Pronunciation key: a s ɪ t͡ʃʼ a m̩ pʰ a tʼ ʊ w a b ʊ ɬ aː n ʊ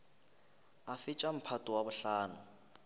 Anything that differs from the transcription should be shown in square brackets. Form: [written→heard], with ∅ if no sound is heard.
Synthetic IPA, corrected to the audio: a [s→f] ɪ t͡ʃʼ a m̩ pʰ a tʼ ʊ w a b ʊ ɬ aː n ʊ